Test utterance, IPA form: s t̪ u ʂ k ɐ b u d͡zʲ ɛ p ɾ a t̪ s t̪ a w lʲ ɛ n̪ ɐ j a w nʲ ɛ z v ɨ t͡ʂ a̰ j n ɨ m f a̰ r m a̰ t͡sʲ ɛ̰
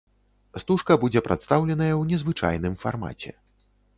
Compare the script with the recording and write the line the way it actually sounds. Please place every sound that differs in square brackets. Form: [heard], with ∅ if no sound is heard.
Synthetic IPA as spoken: s t̪ u ʂ k ɐ b u d͡zʲ ɛ p ɾ a t̪ s t̪ a w lʲ ɛ n̪ ɐ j [ɐ] w nʲ ɛ z v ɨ t͡ʂ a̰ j n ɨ m f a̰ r m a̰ t͡sʲ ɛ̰